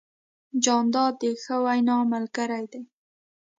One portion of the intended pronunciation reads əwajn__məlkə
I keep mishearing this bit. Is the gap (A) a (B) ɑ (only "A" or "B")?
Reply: B